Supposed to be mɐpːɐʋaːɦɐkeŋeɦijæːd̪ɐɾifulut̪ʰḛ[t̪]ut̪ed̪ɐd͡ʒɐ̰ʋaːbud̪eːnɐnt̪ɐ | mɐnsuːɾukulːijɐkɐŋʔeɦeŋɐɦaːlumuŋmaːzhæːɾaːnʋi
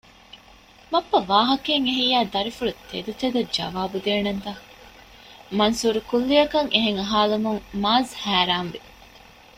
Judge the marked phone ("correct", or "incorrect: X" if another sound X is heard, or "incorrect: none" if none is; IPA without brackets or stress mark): incorrect: d̪